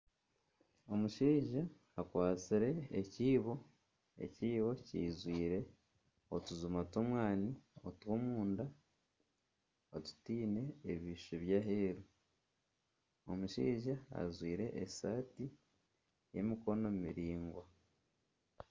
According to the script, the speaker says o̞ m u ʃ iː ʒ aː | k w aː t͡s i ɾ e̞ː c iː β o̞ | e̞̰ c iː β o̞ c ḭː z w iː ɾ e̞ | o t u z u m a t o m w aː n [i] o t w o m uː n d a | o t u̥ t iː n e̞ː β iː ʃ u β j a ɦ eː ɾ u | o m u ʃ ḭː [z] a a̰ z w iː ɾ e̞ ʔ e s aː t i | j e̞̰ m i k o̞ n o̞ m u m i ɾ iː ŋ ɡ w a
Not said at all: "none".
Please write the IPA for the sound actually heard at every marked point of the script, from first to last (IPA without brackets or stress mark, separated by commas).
i, ʒ